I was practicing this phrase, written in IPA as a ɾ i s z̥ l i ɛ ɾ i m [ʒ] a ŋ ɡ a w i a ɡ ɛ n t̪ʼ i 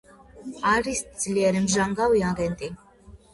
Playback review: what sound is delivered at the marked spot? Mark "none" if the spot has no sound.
ʒ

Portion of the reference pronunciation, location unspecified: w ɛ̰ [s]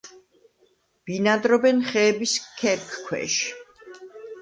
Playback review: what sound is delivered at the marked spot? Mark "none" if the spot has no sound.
ʃ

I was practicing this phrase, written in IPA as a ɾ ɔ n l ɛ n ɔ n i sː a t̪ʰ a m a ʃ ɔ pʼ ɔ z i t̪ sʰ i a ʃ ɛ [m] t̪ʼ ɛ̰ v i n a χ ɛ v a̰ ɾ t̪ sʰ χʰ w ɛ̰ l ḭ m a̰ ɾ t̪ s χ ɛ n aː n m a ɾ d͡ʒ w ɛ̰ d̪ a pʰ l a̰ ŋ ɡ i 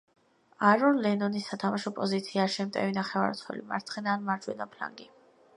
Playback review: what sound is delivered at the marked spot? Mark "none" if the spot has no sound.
m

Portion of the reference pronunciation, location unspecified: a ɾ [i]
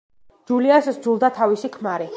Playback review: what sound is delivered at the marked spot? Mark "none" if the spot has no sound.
i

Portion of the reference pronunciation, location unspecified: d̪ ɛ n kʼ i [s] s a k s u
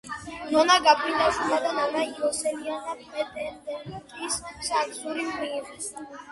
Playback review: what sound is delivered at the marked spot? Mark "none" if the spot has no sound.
s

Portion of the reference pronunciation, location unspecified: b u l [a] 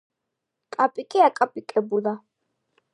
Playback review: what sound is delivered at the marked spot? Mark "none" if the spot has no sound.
a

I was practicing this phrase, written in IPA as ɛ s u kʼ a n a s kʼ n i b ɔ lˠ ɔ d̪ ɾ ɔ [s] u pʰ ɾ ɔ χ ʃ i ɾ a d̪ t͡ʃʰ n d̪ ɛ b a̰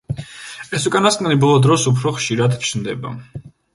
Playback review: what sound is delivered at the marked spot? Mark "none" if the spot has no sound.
s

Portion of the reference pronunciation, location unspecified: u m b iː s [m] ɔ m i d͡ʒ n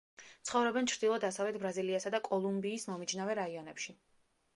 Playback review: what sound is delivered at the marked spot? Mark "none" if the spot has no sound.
m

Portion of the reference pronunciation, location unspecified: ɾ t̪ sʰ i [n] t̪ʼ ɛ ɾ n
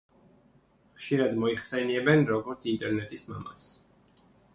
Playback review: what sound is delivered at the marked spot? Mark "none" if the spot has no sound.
n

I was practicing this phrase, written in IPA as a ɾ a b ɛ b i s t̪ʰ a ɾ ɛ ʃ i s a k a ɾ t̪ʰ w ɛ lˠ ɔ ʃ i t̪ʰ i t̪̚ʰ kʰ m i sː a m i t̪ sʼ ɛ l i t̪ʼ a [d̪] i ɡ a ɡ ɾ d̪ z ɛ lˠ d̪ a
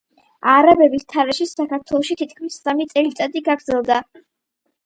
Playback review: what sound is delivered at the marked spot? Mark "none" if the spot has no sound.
d̪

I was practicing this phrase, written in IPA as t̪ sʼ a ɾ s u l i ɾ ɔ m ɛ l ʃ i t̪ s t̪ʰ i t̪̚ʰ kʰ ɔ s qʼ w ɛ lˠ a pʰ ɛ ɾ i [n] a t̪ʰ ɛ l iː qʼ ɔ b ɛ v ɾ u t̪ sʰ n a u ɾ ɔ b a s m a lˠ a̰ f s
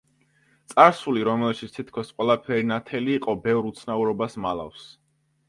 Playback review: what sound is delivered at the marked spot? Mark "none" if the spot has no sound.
n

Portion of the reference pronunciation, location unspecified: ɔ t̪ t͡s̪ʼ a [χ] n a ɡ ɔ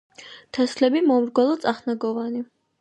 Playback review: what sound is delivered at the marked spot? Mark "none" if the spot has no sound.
χ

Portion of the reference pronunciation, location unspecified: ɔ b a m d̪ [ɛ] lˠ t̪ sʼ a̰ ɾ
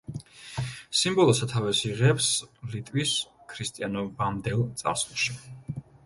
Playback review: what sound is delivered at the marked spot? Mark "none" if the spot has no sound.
ɛ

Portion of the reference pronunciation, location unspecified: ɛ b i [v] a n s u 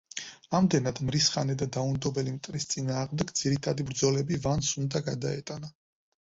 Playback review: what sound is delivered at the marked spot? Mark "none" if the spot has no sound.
v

